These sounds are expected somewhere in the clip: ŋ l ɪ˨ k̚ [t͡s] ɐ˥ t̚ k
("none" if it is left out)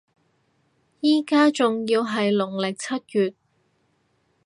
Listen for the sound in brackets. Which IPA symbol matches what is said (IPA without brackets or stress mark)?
t͡sʰ